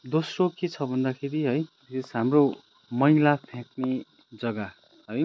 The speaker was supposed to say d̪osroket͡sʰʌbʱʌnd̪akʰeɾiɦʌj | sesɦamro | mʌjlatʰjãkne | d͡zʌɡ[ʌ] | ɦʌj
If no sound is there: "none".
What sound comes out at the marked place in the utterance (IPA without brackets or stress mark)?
a